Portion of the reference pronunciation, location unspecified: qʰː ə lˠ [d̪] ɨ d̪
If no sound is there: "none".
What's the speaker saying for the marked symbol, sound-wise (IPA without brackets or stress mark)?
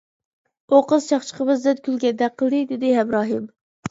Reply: d̪